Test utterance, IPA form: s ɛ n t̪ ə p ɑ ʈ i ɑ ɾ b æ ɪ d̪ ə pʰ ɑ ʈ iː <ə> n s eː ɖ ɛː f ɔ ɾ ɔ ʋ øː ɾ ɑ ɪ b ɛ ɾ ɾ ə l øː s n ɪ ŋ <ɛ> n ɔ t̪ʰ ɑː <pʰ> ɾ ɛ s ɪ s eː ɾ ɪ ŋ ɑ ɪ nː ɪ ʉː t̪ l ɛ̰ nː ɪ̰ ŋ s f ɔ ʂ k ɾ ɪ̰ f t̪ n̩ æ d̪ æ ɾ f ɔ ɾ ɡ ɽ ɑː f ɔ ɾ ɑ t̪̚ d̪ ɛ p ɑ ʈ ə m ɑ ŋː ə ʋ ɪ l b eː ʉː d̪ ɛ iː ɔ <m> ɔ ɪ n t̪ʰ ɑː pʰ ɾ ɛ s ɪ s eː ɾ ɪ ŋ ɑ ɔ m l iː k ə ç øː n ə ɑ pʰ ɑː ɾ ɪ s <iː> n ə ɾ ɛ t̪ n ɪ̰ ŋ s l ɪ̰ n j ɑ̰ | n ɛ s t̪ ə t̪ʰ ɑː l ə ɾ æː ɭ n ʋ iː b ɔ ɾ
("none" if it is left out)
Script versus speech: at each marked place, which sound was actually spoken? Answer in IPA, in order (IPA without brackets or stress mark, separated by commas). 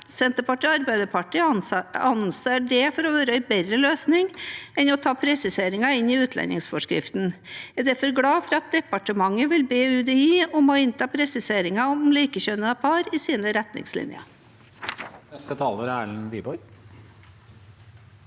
ɑ, ɛ, pʰ, m, iː